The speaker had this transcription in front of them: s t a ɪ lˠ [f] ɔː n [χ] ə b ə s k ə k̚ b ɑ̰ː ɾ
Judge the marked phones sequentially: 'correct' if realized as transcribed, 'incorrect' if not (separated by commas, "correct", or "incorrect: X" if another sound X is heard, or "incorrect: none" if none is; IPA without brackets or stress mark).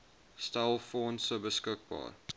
correct, incorrect: s